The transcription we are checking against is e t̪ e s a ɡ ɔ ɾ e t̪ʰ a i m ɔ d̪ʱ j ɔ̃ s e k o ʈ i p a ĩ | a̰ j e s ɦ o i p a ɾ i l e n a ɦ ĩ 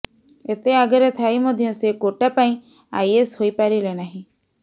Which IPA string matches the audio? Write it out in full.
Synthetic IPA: e t̪ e a ɡ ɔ ɾ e t̪ʰ a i m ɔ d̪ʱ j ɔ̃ s e k o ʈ a p a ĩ | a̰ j e s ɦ o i p a ɾ i l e n a ɦ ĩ